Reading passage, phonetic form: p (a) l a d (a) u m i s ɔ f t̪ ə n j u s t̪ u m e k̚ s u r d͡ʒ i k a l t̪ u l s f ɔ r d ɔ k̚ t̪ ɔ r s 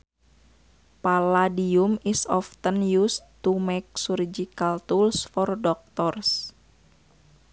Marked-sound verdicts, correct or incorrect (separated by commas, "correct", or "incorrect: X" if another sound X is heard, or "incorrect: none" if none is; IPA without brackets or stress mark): correct, incorrect: i